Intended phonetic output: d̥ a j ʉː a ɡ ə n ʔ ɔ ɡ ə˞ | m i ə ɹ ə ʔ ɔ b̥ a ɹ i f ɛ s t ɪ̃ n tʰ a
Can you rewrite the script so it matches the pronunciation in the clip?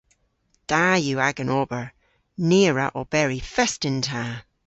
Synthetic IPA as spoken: d̥ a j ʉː a ɡ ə n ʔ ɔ b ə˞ | n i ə ɹ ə ʔ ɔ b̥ ɛ ɹ i f ɛ s t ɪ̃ n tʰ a